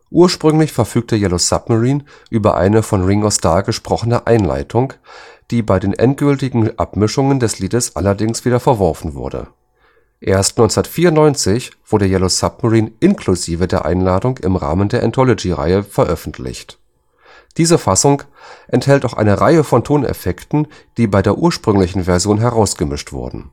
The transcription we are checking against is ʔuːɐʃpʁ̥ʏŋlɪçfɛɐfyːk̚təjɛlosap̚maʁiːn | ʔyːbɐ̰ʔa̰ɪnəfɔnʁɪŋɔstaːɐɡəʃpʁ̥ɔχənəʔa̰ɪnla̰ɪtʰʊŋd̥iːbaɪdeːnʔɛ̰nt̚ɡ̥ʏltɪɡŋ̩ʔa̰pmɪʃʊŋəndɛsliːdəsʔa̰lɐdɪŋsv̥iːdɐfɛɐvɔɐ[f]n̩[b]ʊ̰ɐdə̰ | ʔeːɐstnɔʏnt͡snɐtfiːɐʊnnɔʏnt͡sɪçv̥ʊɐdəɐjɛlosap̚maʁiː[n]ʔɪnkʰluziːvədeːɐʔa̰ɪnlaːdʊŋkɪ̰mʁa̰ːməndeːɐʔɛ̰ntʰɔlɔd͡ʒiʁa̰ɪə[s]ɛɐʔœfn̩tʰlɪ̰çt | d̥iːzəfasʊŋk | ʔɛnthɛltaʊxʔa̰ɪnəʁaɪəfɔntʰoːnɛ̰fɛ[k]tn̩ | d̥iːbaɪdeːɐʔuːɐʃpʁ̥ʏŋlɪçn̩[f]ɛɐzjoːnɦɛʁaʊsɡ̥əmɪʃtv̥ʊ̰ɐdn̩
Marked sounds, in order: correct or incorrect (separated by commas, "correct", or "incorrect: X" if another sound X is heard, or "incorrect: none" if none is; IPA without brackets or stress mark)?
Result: correct, incorrect: v, correct, incorrect: f, correct, incorrect: v